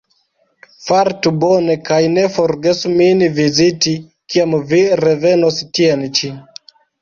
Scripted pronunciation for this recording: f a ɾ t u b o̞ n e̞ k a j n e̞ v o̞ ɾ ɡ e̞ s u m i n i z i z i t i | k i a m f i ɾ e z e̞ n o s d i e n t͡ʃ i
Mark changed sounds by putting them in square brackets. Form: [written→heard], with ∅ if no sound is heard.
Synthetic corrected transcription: f a ɾ t u b o̞ n e̞ k a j n e̞ [v→f] o̞ ɾ ɡ e̞ s u m i n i [z→v] i z i t i | k i a m [f→v] i ɾ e [z→v] e̞ n o s [d→t] i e n t͡ʃ i

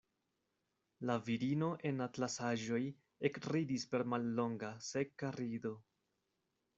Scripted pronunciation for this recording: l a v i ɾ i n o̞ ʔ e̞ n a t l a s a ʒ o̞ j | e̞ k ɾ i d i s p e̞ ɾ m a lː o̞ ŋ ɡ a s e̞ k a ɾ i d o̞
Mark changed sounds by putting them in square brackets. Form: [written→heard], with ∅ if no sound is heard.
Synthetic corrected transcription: l a v i ɾ i n o̞ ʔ e̞ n a t l a s a ʒ o̞ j | e̞ k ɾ i d i s p e̞ ɾ m a lː o̞ ŋ ɡ a s e̞ k a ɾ i d o̞

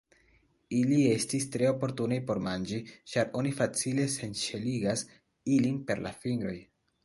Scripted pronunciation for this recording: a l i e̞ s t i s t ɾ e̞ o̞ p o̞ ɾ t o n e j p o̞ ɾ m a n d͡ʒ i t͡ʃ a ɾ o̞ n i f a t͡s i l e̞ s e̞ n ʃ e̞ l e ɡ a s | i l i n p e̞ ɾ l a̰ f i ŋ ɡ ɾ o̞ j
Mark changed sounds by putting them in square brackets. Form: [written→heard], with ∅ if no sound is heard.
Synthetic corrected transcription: [a→i] l i e̞ s t i s t ɾ e̞ o̞ p o̞ ɾ t [o→u] n e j p o̞ ɾ m a n d͡ʒ i t͡ʃ a ɾ o̞ n i f a t͡s i l e̞ s e̞ n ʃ e̞ l [e→i] ɡ a s | i l i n p e̞ ɾ l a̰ f i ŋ ɡ ɾ o̞ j

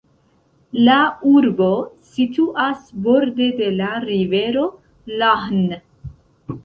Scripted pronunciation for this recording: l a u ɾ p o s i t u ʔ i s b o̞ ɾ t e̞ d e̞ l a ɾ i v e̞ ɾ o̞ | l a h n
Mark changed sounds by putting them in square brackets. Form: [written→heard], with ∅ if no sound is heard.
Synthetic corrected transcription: l a u ɾ [p→b] o s i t u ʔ [i→a] s b o̞ ɾ [t→d] e̞ d e̞ l a ɾ i v e̞ ɾ o̞ | l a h n

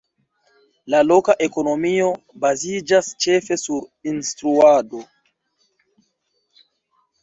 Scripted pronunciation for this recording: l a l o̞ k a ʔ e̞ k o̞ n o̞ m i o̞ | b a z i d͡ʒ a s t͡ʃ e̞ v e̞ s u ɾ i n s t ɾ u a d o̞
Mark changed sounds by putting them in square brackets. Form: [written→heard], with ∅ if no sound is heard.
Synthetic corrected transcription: l a l o̞ k a ʔ e̞ k o̞ n o̞ m i o̞ | b a z i d͡ʒ a s t͡ʃ e̞ [v→f] e̞ s u ɾ i n s t ɾ u a d o̞

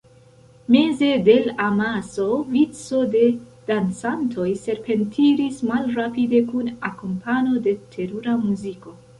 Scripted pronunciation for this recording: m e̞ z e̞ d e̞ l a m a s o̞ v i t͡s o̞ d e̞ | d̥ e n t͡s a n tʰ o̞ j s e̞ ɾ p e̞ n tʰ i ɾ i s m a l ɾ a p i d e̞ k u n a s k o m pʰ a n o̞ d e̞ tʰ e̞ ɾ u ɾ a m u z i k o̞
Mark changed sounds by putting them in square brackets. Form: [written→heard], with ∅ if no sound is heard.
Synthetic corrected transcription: m e̞ z e̞ d e̞ l a m a s o̞ v i t͡s o̞ d e̞ | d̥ [e→a] n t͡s a n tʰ o̞ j s e̞ ɾ p e̞ n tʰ i ɾ i s m a l ɾ a p i d e̞ k u n a [s→∅] k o m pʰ a n o̞ d e̞ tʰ e̞ ɾ u ɾ a m u z i k o̞

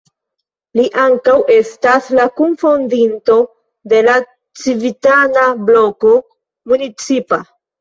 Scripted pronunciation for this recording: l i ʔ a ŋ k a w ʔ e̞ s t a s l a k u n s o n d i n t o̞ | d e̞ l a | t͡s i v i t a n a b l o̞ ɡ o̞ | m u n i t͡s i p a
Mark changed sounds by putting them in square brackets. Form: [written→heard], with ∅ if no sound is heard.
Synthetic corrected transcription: l i ʔ a ŋ k a w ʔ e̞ s t a s l a k u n [s→f] o n d i n t o̞ | d e̞ l a | t͡s i v i t a n a b l o̞ [ɡ→k] o̞ | m u n i t͡s i p a

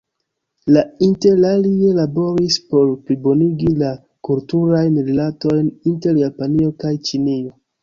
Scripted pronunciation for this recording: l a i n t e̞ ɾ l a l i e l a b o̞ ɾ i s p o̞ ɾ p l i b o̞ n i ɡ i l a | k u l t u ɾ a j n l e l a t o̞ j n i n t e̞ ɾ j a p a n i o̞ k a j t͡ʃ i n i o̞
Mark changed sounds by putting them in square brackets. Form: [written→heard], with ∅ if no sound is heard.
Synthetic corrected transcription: l a i n t e̞ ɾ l a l i e l a b o̞ ɾ i s p o̞ ɾ p l i b o̞ n i ɡ i l a | k u l t u ɾ a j n [l→ɾ] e l a t o̞ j n i n t e̞ ɾ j a p a n i o̞ k a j t͡ʃ i n i o̞

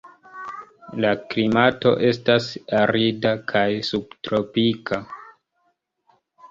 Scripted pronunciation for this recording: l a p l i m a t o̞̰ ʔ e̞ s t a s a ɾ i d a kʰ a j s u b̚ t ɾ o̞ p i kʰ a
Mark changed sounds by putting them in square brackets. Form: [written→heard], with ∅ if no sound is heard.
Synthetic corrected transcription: l a [p→k] l i m a t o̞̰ ʔ e̞ s t a s a ɾ i d a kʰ a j s u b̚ t ɾ o̞ p i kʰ a

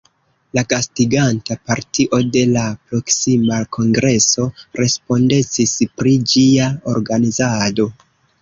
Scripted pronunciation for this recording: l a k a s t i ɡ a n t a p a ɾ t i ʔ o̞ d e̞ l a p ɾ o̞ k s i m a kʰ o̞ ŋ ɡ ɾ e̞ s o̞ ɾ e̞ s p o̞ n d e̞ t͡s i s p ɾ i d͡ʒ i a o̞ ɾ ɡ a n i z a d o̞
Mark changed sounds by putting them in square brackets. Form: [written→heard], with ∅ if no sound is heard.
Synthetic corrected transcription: l a k a s t i ɡ a n t a p a ɾ t i ʔ o̞ d e̞ l a p ɾ o̞ k s i m a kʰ o̞ ŋ ɡ ɾ e̞ s o̞ ɾ e̞ s p o̞ n d e̞ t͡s i s p ɾ i d͡ʒ i a o̞ ɾ ɡ a n i z a d o̞

